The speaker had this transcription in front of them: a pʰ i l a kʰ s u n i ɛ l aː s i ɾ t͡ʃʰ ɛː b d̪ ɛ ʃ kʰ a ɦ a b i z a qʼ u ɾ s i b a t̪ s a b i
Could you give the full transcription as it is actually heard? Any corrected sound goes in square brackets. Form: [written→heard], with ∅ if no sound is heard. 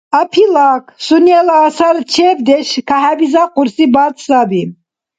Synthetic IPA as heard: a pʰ i l a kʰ s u n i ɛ l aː s [i→a] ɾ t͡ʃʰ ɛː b d̪ ɛ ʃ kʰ a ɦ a b i z a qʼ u ɾ s i b a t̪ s a b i